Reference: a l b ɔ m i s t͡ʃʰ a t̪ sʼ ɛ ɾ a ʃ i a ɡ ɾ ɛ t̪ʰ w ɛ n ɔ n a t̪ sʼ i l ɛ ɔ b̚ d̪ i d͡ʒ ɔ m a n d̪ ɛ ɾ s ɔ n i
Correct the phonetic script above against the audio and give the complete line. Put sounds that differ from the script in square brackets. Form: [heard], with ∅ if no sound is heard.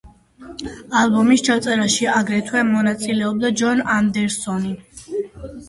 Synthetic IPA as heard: a l b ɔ m i s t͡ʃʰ a t̪ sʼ ɛ ɾ a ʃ i a ɡ ɾ ɛ t̪ʰ w ɛ [m] ɔ n a t̪ sʼ i l ɛ ɔ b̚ d̪ [a] d͡ʒ ɔ [n] a n d̪ ɛ ɾ s ɔ n i